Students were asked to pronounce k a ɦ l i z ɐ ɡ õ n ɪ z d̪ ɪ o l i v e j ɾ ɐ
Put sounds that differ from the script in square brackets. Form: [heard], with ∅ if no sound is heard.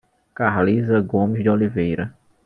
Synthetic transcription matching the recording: k a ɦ l i z ɐ ɡ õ [m] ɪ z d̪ ɪ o l i v e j ɾ ɐ

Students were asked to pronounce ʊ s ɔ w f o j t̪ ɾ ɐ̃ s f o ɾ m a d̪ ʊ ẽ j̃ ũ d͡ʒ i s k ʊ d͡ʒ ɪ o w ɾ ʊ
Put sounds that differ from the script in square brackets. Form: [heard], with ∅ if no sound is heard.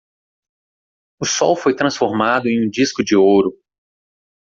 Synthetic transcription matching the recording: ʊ s ɔ w f o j t̪ ɾ ɐ̃ s f o ɾ m a d̪ ʊ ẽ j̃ ũ d͡ʒ i s k ʊ d͡ʒ ɪ o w ɾ ʊ

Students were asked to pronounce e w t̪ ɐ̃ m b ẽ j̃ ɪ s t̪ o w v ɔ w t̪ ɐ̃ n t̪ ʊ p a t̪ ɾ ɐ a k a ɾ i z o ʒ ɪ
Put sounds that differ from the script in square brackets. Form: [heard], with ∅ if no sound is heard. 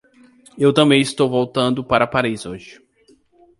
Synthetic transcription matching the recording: e w t̪ ɐ̃ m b ẽ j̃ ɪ s t̪ o w v [o] w t̪ ɐ̃ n [d̪] ʊ p a [∅] ɾ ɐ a [p] a ɾ i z o ʒ ɪ

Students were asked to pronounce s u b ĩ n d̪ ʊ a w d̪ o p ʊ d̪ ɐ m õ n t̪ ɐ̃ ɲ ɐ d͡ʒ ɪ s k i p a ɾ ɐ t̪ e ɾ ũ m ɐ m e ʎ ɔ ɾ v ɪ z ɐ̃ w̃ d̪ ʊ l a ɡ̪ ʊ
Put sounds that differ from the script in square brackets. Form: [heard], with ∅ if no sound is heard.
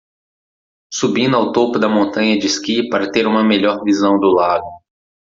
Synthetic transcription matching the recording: s u b ĩ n d̪ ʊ a w [t̪] o p ʊ d̪ ɐ m õ n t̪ ɐ̃ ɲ ɐ d͡ʒ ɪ s k i p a ɾ ɐ t̪ e ɾ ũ m ɐ m e ʎ ɔ ɾ v [i] z ɐ̃ w̃ d̪ ʊ l a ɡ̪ ʊ

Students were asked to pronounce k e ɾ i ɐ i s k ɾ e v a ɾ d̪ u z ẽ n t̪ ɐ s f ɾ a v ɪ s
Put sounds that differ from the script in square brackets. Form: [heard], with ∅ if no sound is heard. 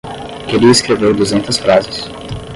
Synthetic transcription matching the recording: k e ɾ i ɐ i s k ɾ e v [e] ɾ d̪ u z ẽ n t̪ ɐ s f ɾ a [z] ɪ s

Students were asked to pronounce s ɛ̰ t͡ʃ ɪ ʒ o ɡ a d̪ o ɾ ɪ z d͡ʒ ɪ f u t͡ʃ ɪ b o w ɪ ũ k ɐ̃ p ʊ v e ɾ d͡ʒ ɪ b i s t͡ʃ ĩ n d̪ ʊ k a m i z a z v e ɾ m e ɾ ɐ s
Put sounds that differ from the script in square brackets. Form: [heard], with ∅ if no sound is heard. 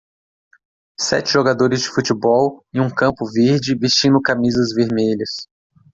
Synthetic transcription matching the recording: s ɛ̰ t͡ʃ ɪ ʒ o ɡ a d̪ o ɾ ɪ z d͡ʒ ɪ f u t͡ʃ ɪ b [ɔ] w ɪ ũ k ɐ̃ p ʊ v e ɾ d͡ʒ ɪ [v] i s t͡ʃ ĩ n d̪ ʊ k a m i z [ɐ] z v e ɾ m e [ʎ] ɐ s

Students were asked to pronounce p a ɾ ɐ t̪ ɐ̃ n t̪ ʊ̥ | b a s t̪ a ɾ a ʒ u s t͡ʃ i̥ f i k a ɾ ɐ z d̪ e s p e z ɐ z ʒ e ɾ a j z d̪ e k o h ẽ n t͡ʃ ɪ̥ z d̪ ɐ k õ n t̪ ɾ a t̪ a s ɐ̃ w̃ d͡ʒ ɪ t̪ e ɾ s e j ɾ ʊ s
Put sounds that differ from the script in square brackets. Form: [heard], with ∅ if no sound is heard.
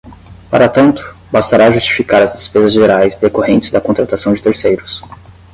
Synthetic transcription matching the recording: p a ɾ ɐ t̪ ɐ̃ n t̪ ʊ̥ | b a s t̪ a ɾ a ʒ u s t͡ʃ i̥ f i k a ɾ ɐ z d̪ e s p e z ɐ z ʒ e ɾ a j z d̪ e k o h ẽ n t͡ʃ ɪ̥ z d̪ ɐ k õ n t̪ ɾ a t̪ a s ɐ̃ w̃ d͡ʒ ɪ t̪ e ɾ s e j ɾ ʊ s

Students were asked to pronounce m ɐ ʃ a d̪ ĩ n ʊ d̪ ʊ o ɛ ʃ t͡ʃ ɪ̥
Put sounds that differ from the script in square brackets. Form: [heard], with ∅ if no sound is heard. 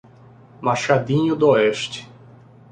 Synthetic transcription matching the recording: m [a] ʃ a d̪ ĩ [ɲ] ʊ d̪ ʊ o ɛ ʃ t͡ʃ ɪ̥

